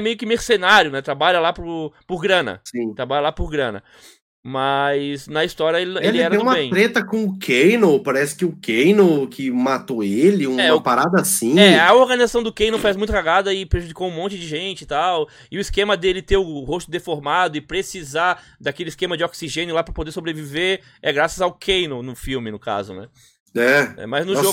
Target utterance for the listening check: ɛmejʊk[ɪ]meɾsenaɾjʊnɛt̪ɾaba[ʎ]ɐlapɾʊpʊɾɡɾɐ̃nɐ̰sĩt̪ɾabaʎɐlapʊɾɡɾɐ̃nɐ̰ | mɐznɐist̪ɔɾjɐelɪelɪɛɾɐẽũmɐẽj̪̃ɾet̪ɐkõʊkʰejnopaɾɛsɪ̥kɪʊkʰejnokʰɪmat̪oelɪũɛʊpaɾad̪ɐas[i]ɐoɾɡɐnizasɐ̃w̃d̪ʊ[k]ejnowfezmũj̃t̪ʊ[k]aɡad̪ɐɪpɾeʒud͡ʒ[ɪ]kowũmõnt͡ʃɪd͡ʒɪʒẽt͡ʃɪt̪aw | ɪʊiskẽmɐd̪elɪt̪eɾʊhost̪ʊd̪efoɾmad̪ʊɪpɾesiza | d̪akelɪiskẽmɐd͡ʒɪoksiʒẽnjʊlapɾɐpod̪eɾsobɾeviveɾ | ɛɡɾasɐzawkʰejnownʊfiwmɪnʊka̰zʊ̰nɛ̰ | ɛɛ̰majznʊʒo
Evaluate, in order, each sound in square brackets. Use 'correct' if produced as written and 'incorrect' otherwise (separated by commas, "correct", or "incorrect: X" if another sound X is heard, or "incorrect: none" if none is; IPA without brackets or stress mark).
correct, correct, incorrect: ĩ, correct, correct, incorrect: i